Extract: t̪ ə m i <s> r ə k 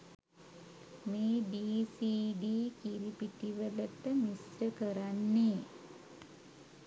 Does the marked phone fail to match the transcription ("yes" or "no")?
no